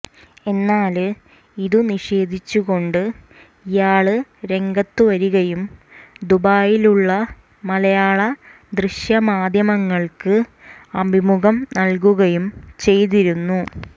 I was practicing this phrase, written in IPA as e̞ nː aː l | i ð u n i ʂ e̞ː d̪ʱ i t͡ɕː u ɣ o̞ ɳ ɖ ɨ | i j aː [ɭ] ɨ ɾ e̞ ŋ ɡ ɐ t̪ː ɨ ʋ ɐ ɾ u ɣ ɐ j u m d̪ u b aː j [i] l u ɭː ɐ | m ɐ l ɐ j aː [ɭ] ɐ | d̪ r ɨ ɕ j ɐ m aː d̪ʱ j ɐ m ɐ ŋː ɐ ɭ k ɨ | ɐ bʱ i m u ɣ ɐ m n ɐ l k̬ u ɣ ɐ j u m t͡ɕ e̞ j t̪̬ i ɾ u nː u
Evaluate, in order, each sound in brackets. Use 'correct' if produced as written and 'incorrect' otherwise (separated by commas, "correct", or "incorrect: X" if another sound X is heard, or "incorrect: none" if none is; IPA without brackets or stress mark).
correct, correct, correct